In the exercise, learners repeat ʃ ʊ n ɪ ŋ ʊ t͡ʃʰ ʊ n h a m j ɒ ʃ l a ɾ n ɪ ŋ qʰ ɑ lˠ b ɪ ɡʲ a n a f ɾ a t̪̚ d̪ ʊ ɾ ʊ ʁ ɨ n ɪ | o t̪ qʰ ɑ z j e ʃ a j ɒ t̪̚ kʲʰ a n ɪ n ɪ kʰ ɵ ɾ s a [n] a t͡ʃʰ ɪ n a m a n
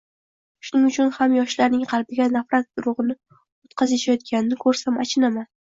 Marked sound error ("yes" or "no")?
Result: yes